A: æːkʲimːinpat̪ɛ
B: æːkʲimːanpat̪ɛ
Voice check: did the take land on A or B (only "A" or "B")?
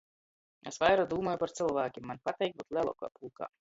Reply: B